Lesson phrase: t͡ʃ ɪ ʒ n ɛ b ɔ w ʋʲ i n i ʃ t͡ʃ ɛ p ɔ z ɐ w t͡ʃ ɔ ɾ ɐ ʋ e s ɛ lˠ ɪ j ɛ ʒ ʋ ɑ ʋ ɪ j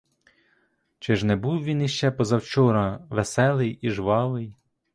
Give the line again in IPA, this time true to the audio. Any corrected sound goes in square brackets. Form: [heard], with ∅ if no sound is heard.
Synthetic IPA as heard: t͡ʃ ɪ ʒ n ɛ b [u] w ʋʲ i n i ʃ t͡ʃ ɛ p ɔ z ɐ w t͡ʃ ɔ ɾ ɐ ʋ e s ɛ lˠ ɪ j [i] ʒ ʋ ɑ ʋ ɪ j